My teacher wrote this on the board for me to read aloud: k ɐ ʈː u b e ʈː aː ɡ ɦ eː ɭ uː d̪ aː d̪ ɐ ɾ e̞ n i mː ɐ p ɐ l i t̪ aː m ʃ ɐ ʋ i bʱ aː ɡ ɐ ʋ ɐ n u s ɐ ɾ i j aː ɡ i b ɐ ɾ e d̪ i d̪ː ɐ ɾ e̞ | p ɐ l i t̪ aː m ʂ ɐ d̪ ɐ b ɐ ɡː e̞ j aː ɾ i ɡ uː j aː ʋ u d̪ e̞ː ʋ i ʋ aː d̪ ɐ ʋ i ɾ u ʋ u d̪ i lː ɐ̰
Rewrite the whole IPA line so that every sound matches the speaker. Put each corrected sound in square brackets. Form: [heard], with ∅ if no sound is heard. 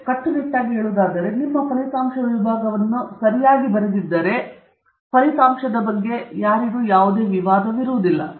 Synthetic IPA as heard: k ɐ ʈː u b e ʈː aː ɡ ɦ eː ɭ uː d̪ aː d̪ ɐ ɾ e̞ n i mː ɐ p ɐ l i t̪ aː m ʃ ɐ ʋ i bʱ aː ɡ ɐ ʋ ɐ [nː] u s ɐ ɾ i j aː ɡ i b ɐ ɾ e d̪ i d̪ː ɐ ɾ e̞ | p ɐ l i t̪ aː m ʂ ɐ d̪ ɐ b ɐ ɡː e̞ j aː ɾ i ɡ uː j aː ʋ u d̪ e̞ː ʋ i ʋ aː d̪ ɐ ʋ i ɾ u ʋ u d̪ i lː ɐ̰